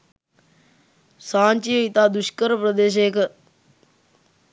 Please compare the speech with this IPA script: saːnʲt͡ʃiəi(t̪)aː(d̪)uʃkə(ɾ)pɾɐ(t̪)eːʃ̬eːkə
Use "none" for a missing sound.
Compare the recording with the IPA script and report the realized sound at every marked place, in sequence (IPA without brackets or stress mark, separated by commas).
t̪, d̪, ɾ, d̪